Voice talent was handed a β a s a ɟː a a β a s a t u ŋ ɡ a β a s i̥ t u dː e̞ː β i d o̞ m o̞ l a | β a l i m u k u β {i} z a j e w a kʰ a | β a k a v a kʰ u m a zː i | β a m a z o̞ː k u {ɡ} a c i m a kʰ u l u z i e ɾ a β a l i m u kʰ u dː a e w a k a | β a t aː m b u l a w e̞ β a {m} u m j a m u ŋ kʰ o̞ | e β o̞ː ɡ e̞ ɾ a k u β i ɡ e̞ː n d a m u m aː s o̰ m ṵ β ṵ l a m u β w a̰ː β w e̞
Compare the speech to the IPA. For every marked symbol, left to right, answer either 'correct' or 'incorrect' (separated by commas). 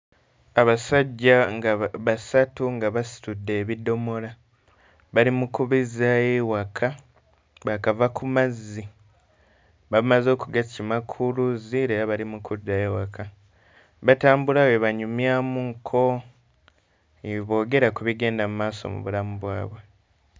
correct, correct, incorrect